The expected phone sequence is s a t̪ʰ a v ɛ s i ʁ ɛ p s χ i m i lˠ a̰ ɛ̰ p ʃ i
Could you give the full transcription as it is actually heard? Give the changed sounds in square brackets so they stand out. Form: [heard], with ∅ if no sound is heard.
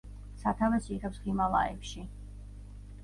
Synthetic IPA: s a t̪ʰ a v ɛ s i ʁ ɛ p s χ i m [a] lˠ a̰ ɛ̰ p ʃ i